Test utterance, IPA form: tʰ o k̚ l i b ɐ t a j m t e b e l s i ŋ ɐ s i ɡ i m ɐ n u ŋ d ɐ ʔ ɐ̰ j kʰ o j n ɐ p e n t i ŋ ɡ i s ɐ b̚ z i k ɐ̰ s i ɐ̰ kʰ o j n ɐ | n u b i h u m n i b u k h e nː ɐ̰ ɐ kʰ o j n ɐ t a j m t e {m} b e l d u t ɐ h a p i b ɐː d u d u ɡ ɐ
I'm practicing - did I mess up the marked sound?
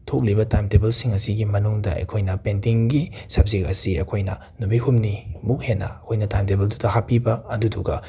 yes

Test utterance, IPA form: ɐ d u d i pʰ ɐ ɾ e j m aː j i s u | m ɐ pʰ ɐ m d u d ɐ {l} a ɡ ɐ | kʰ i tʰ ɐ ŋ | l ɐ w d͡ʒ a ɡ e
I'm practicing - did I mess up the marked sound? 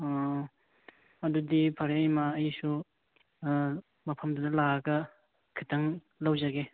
no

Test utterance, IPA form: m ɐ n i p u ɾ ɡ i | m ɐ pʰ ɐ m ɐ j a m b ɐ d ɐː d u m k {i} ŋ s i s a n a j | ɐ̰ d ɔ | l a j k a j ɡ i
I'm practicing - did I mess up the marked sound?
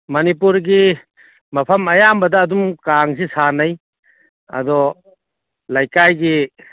yes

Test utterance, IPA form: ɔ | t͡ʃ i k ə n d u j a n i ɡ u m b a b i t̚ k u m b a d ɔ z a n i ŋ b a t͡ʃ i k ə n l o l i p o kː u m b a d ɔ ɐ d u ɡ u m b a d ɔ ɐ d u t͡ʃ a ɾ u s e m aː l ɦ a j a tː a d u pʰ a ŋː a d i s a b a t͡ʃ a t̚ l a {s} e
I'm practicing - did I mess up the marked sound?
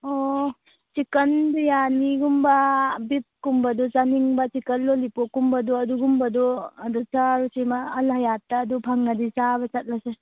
no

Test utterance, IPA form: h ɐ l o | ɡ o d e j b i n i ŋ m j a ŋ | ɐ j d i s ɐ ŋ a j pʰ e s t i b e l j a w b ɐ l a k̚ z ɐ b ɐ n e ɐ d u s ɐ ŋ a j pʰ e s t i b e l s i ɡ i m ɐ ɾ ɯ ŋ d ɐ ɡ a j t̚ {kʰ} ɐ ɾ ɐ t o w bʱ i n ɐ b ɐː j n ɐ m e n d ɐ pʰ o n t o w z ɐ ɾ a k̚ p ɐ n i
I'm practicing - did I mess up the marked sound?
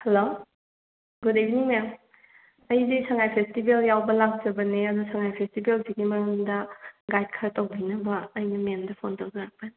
no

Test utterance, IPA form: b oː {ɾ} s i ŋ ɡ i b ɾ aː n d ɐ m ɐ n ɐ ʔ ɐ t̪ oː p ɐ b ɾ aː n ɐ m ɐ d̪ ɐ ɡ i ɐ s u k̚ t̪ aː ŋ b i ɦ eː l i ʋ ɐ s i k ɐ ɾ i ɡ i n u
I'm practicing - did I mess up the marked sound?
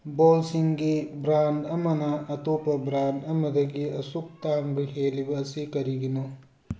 yes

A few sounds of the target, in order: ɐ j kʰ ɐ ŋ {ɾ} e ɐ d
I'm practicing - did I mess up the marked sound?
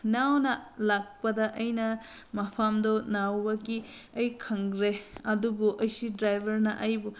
no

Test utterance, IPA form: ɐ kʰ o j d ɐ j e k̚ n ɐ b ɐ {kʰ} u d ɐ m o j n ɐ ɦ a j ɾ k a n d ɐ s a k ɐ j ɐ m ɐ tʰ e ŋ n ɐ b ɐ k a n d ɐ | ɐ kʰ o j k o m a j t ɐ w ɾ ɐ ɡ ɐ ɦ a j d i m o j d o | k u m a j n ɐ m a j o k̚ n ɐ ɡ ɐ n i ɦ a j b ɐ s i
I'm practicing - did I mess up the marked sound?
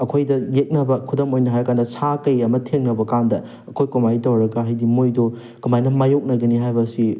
no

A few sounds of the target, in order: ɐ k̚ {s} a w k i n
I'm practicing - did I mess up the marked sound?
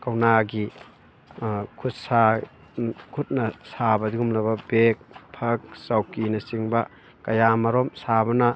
no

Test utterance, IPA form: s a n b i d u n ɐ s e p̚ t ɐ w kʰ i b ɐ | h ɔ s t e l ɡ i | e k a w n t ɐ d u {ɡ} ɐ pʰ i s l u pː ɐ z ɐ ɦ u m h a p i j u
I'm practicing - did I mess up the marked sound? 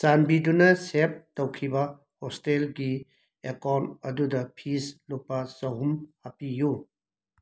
yes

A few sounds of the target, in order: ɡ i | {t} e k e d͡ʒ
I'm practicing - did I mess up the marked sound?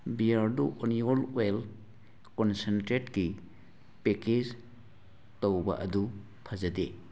yes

